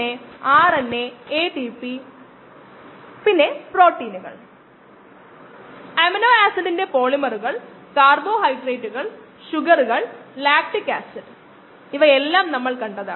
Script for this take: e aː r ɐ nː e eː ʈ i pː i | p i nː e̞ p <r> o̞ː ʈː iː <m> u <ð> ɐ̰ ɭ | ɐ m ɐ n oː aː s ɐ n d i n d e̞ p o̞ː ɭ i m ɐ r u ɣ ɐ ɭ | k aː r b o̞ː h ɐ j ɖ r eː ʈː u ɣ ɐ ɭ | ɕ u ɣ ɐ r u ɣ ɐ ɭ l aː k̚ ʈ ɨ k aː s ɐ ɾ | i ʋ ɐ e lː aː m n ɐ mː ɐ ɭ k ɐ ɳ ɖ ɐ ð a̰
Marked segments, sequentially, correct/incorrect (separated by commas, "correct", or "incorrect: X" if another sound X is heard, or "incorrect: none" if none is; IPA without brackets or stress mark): correct, incorrect: n, incorrect: ɣ